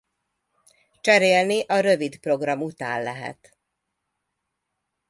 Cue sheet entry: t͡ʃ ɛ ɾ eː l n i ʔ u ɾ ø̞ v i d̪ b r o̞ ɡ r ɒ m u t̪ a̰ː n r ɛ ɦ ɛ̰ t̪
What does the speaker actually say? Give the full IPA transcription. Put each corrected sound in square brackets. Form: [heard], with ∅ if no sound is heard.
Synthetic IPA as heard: t͡ʃ ɛ ɾ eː l n i ʔ [ɒ] ɾ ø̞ v i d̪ [p] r o̞ ɡ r ɒ m u t̪ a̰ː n [l] ɛ ɦ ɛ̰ t̪